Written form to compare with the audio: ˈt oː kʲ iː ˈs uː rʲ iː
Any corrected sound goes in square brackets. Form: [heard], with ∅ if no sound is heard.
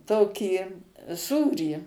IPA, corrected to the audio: ˈt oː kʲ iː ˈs uː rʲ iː